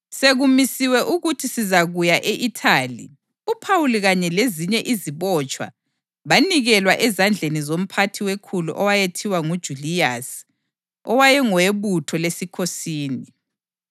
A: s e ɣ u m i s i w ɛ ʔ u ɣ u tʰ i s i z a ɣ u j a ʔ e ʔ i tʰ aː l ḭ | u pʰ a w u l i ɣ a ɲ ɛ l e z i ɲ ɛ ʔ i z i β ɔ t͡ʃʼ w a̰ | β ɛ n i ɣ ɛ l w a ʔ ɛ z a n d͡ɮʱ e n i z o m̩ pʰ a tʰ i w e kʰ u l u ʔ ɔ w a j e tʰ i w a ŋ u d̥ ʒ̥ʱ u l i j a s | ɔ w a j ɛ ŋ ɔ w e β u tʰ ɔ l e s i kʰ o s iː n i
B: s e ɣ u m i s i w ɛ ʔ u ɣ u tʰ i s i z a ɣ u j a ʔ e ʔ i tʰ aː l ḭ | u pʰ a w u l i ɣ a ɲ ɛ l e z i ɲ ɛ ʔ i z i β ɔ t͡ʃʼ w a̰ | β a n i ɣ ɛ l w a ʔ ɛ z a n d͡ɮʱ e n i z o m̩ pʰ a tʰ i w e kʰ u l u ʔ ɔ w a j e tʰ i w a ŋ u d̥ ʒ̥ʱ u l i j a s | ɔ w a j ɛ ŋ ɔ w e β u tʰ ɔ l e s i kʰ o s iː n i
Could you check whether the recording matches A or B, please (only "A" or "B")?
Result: B